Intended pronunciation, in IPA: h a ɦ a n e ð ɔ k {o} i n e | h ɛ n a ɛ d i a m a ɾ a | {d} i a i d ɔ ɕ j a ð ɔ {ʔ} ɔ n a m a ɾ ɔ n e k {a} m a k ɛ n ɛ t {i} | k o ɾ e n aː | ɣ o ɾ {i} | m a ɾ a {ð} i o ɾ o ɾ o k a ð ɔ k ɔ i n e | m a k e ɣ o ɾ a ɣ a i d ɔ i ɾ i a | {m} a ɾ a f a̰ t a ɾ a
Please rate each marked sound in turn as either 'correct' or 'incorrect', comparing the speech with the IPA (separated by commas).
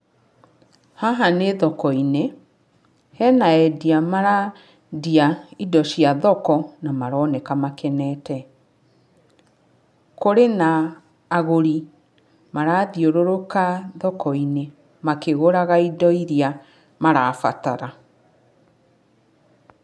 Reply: incorrect, correct, incorrect, correct, incorrect, correct, correct, correct